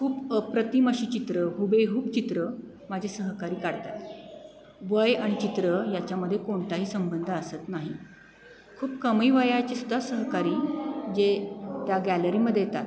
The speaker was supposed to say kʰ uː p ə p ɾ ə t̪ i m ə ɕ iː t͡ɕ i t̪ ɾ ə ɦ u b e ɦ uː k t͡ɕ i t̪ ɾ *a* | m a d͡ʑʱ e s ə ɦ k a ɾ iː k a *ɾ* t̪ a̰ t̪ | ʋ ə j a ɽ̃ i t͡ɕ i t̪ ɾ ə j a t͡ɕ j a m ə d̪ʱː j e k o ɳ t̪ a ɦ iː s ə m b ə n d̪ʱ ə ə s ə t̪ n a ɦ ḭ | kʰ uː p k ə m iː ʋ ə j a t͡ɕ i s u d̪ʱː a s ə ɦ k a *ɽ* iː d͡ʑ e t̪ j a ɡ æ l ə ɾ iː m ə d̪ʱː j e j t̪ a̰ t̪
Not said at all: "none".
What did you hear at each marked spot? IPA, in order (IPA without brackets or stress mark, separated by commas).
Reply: ə, ɽ, ɾ